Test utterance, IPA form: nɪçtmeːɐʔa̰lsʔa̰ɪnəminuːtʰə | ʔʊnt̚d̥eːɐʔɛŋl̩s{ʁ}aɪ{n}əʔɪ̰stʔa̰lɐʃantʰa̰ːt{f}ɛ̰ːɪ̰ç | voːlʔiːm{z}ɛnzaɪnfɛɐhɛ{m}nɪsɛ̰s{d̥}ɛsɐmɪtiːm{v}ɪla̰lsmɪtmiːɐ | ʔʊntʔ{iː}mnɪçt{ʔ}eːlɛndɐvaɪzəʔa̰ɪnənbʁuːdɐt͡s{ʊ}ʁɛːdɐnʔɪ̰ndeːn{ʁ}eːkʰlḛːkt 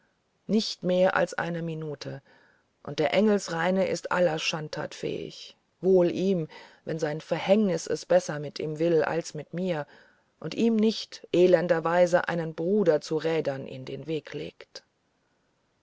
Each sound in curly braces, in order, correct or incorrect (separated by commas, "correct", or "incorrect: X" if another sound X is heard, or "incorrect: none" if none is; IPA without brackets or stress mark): correct, correct, correct, incorrect: v, incorrect: ŋ, incorrect: b̥, correct, correct, correct, incorrect: u, incorrect: v